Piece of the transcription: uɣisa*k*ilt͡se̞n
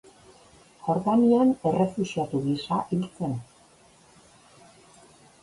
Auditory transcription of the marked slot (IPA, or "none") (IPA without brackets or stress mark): ʔ